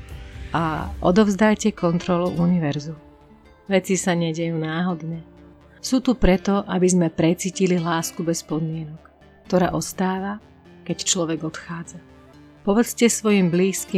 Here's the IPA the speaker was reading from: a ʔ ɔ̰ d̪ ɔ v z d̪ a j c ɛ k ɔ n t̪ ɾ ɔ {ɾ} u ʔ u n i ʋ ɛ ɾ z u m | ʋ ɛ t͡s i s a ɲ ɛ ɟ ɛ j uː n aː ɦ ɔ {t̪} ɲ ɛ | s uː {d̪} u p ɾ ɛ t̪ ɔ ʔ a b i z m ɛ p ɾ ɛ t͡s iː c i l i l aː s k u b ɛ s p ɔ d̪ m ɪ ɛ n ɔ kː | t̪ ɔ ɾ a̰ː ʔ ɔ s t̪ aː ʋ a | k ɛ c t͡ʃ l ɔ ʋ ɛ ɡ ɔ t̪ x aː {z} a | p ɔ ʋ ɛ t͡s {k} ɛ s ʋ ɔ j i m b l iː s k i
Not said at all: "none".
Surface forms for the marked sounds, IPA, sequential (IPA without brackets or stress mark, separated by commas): l, d̪, t̪, d͡z, c